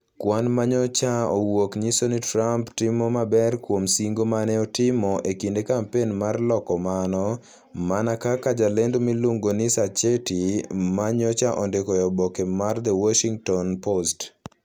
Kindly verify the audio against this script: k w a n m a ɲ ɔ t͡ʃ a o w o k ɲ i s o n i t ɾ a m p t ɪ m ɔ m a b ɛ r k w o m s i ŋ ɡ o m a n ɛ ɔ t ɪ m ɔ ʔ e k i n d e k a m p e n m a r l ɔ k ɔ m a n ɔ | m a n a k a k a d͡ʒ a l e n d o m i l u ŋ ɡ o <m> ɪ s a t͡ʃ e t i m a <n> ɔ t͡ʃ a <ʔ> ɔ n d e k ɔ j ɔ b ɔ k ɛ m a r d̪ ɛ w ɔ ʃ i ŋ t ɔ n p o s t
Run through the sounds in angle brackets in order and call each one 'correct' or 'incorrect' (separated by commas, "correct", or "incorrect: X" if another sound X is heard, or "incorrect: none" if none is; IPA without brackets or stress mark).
incorrect: n, incorrect: ɲ, correct